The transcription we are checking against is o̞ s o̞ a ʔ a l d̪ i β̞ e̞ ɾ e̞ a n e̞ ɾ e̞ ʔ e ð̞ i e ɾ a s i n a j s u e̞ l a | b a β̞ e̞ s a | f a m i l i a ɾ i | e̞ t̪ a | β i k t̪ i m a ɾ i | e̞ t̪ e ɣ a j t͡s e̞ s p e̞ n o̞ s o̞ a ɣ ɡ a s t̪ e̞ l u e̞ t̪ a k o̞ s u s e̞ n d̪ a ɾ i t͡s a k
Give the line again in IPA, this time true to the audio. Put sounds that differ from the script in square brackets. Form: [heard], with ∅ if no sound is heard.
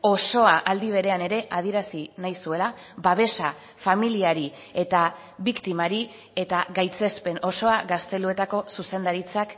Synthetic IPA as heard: o̞ s o̞ a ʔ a l d̪ i β̞ e̞ ɾ e̞ a n e̞ ɾ e̞ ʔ [a] ð̞ i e ɾ a s i n a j s u e̞ l a | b a β̞ e̞ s a | f a m i l i a ɾ i | e̞ t̪ a | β i k t̪ i m a ɾ i | e̞ t̪ [a] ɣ a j t͡s e̞ s p e̞ n o̞ s o̞ a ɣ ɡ a s t̪ e̞ l u e̞ t̪ a k o̞ s u s e̞ n d̪ a ɾ i t͡s a k